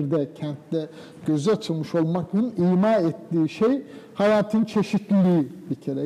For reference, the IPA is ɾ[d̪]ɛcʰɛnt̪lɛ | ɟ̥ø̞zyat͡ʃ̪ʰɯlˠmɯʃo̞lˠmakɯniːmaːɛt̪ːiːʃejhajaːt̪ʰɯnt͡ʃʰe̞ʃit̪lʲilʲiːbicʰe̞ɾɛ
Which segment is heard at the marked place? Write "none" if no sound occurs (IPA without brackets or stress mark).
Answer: d̪